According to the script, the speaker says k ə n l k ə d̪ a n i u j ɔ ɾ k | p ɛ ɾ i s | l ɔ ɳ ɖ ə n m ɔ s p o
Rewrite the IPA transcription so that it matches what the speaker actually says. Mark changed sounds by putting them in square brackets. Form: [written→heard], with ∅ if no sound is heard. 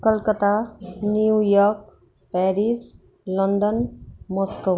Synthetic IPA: k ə [n→∅] l k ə [d̪→t̪] a n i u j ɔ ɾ k | p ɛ ɾ i s | l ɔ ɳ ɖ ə n m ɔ s [p→k] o